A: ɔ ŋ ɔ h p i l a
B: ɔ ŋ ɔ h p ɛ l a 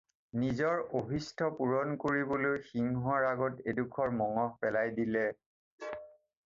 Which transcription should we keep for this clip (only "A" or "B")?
B